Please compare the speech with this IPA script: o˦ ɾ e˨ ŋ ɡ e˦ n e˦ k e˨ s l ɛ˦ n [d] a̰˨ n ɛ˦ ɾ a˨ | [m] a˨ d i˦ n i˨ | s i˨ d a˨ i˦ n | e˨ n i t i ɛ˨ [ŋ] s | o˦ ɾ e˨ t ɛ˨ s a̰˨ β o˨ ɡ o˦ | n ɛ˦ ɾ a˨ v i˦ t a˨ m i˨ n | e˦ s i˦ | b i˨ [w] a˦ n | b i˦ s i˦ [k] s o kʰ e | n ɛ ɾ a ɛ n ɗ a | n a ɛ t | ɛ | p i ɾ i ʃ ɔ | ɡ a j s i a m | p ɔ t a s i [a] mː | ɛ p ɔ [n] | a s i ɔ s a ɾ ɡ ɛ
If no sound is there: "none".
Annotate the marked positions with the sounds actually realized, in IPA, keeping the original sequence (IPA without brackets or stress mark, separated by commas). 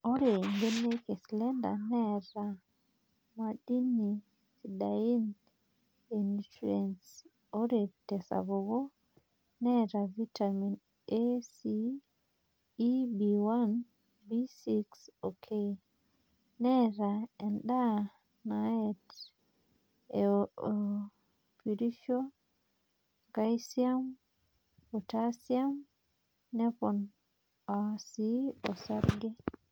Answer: d, m, n, w, k, a, n